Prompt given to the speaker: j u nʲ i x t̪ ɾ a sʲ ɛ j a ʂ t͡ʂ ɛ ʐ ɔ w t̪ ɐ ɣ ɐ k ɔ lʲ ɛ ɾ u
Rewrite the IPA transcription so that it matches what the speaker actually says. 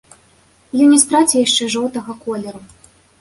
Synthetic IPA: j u nʲ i s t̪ ɾ a t͡sʲ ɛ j a ʂ t͡ʂ ɛ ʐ ɔ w t̪ ɐ ɣ ɐ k ɔ lʲ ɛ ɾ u